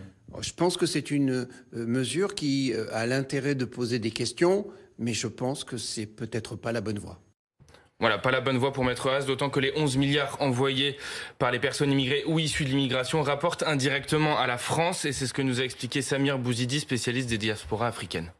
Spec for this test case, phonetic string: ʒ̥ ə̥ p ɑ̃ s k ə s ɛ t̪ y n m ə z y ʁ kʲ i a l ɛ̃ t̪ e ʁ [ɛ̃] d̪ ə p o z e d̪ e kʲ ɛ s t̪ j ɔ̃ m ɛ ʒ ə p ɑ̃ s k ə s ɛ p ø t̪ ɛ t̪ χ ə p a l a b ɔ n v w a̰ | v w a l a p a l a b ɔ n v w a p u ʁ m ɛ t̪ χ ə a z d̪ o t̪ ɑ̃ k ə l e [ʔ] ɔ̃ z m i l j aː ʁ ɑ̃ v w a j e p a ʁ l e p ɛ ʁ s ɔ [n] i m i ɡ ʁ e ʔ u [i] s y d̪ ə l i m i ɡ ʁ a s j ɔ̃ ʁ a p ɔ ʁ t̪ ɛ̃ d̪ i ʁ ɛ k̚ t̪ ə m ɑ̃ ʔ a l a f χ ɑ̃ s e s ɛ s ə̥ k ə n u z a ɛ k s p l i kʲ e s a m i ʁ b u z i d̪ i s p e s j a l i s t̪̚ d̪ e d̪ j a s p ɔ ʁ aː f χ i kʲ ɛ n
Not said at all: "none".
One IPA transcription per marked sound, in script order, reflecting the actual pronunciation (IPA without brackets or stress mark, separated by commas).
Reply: ɛ, ʔ, n, i